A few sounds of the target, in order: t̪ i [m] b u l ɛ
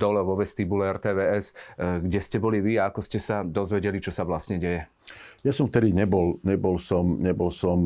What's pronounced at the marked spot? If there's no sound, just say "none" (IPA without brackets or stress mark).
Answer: none